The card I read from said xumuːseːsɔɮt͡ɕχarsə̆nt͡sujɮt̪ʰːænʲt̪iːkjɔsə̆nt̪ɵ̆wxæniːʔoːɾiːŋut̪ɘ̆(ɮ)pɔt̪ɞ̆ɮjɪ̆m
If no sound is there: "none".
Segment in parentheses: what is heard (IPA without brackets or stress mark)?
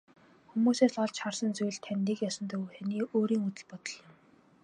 ɮ